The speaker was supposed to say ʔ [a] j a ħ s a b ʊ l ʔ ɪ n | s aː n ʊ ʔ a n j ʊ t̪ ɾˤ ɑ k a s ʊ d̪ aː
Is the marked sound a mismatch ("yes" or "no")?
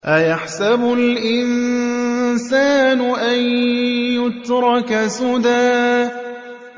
no